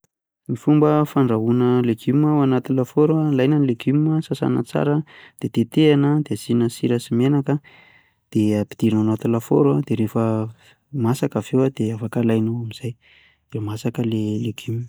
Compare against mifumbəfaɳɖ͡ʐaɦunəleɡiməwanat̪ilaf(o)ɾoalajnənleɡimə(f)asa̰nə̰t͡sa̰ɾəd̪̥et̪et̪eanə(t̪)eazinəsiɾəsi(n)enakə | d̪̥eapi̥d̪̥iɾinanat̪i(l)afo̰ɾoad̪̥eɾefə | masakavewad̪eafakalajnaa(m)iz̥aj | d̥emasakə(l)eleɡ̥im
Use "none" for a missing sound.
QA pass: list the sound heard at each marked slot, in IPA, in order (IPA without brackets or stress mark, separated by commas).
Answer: o, s, d̪, m, l, m, l